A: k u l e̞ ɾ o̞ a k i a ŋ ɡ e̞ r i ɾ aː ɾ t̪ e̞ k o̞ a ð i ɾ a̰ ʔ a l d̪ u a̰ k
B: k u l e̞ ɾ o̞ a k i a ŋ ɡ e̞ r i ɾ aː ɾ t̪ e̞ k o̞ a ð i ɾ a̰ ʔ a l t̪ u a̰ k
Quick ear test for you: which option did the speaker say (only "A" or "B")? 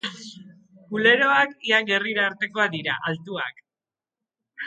B